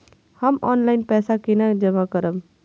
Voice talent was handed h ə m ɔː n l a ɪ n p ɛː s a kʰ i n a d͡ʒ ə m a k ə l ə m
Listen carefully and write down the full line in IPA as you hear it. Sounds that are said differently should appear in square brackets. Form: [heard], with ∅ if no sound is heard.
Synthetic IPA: h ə m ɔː n l a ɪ n p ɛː s a [k] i n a d͡ʒ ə m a k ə [ɾ] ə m